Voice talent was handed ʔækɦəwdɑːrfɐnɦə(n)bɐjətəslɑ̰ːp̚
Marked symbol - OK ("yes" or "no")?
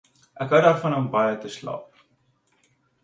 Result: no